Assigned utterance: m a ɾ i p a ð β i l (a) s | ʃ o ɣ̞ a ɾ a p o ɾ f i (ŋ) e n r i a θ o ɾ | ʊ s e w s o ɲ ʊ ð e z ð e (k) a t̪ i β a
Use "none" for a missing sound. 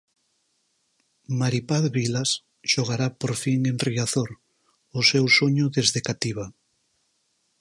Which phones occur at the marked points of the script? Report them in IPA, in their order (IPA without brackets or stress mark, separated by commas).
a, ŋ, k